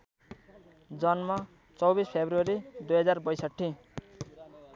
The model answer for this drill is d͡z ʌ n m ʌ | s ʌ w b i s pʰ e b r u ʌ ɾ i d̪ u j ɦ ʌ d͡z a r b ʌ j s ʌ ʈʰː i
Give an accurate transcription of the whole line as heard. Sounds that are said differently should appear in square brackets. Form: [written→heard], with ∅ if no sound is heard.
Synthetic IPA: d͡z ʌ n m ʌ | [s→t͡s] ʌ w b i s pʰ e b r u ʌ ɾ i d̪ u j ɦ ʌ d͡z a r b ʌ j s ʌ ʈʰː i